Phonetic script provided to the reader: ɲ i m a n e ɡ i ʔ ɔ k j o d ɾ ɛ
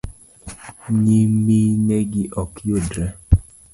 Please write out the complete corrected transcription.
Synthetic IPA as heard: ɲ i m i n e ɡ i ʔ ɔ k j o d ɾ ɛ